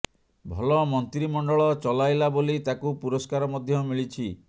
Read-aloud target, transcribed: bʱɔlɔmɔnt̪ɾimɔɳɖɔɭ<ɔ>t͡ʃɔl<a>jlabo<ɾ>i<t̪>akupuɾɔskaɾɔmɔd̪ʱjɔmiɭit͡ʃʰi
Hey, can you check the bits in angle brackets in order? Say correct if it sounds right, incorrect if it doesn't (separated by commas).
correct, correct, incorrect, correct